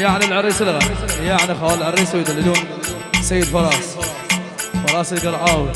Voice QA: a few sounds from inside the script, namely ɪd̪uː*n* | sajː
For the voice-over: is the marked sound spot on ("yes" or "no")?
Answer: yes